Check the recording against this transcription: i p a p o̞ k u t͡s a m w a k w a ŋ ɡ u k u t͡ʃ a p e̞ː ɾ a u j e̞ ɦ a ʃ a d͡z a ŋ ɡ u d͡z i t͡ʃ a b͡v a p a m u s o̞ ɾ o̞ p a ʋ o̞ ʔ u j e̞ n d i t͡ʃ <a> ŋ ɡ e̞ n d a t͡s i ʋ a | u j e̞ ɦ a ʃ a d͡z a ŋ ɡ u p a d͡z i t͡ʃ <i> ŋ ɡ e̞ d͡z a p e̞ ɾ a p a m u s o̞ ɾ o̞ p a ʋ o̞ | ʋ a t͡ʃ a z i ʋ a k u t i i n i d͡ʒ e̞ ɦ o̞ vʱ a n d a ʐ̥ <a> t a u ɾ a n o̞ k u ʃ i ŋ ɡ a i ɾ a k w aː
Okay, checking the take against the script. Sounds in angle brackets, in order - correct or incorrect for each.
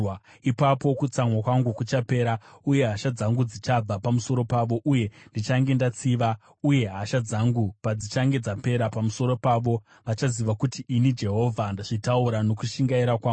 correct, incorrect, incorrect

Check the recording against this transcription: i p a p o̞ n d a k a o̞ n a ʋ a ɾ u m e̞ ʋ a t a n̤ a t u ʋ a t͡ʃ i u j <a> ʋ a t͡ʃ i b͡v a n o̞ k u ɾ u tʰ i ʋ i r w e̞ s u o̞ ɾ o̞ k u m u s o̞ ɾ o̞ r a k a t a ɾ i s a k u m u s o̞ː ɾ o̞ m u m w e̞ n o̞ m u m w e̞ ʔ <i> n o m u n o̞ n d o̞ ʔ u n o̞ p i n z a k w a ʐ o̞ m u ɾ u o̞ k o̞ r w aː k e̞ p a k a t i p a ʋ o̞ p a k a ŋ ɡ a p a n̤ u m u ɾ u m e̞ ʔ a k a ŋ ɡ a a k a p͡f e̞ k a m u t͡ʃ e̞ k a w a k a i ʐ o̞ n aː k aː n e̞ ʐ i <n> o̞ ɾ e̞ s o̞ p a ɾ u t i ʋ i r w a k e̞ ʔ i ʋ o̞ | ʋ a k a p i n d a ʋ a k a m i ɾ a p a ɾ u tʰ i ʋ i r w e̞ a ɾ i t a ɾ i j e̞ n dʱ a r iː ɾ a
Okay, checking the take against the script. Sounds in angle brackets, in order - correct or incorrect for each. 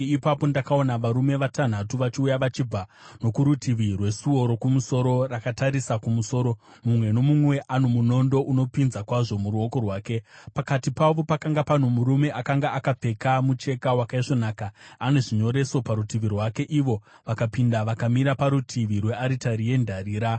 correct, incorrect, incorrect

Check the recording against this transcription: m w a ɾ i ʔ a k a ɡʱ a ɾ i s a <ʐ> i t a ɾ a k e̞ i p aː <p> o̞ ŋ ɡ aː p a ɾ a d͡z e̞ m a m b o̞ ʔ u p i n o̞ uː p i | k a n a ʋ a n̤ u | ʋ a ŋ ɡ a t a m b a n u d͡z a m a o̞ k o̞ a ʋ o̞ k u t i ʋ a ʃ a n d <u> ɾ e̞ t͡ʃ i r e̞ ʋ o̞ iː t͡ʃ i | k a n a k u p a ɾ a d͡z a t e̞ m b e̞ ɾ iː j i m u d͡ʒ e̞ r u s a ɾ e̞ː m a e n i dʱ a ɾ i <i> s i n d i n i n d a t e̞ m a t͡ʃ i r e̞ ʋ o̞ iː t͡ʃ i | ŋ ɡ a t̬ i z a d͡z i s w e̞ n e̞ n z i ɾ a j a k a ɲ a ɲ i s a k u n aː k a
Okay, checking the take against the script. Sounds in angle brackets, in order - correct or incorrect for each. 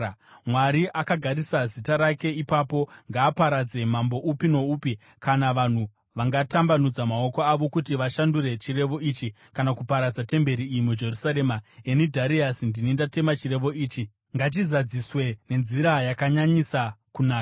incorrect, correct, correct, incorrect

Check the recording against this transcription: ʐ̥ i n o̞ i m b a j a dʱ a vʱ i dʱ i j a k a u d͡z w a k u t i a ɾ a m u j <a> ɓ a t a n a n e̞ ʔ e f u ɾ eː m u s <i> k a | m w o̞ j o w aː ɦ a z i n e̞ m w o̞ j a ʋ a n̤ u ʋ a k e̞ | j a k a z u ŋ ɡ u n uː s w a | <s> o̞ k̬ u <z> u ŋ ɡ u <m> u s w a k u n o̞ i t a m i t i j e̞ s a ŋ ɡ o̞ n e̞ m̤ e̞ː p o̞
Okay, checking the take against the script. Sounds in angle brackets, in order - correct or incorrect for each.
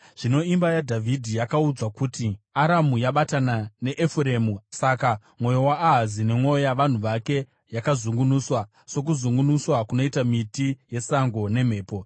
correct, incorrect, correct, correct, incorrect

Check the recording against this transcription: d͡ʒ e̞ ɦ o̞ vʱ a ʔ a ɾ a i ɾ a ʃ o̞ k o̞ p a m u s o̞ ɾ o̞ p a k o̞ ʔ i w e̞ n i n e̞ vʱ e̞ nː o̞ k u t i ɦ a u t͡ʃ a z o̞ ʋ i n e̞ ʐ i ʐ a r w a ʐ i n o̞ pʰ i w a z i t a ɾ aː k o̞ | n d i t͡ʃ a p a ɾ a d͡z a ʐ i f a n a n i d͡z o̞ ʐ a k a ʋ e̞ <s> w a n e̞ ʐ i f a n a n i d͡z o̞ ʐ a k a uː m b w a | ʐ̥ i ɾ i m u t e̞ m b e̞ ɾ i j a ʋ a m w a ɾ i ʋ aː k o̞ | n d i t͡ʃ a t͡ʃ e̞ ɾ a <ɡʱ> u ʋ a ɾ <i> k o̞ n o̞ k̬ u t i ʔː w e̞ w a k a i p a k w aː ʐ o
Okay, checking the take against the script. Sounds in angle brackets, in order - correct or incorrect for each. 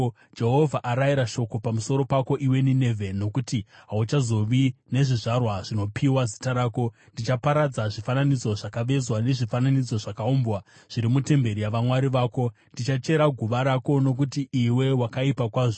incorrect, correct, incorrect

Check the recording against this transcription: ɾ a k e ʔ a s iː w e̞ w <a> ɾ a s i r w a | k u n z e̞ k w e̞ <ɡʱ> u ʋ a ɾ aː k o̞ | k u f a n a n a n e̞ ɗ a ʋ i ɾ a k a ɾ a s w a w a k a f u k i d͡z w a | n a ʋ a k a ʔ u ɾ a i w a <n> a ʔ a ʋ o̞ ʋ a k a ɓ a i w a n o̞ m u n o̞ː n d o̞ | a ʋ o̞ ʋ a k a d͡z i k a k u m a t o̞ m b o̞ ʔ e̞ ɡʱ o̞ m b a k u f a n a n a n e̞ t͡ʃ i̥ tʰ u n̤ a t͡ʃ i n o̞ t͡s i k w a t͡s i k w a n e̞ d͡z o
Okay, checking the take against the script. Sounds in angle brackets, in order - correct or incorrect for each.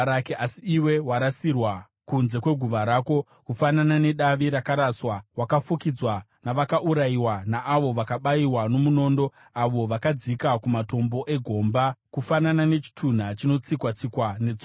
correct, correct, correct

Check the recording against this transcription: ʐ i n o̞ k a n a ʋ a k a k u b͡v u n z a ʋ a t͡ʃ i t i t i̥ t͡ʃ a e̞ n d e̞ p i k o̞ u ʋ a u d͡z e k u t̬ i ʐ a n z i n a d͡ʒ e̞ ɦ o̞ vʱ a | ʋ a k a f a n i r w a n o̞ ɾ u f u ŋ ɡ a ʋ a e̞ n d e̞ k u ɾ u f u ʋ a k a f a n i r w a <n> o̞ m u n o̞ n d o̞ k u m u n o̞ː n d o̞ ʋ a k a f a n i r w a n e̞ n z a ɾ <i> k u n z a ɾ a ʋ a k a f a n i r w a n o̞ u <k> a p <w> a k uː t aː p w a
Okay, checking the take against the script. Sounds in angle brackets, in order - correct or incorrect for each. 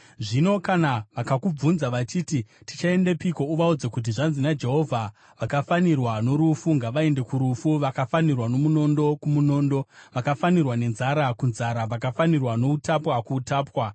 correct, incorrect, incorrect, correct

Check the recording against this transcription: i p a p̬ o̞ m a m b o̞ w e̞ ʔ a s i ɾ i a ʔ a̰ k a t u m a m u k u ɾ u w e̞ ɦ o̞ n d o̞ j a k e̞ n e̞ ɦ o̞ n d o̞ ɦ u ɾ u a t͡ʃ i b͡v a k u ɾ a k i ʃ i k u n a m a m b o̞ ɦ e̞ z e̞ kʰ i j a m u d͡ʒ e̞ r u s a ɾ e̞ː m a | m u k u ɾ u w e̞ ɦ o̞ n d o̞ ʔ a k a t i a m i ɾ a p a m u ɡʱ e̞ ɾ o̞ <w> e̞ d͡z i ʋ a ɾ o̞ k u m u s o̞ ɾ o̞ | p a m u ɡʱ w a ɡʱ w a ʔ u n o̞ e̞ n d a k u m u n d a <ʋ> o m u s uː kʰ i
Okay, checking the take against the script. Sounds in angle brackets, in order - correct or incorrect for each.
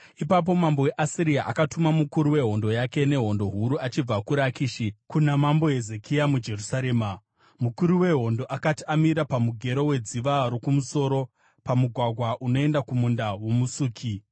correct, incorrect

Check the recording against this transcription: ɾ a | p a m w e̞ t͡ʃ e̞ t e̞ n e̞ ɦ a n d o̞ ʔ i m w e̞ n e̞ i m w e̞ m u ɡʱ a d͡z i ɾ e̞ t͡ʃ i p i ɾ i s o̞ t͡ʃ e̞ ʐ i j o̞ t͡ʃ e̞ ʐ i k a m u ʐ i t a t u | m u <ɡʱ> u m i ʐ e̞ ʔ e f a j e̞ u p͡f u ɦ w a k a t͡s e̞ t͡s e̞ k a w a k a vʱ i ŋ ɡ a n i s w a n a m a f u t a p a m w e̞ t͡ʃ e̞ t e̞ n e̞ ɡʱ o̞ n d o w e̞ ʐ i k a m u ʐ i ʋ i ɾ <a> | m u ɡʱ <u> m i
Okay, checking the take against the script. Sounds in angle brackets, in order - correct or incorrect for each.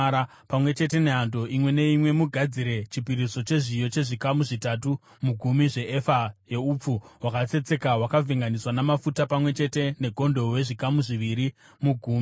correct, incorrect, incorrect

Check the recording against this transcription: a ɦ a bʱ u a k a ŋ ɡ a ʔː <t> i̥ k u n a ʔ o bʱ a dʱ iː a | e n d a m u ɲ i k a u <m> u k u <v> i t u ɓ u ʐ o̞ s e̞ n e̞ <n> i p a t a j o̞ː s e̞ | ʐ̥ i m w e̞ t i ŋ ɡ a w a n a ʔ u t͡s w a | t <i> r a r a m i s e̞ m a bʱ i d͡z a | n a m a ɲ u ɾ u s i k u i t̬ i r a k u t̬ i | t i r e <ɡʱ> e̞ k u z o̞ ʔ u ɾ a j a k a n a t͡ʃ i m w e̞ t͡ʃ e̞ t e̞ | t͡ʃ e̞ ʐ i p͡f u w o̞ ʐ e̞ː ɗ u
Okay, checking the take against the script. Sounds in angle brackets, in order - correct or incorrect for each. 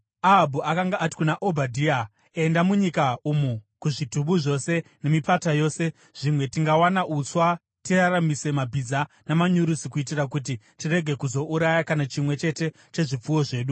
correct, correct, incorrect, incorrect, correct, correct

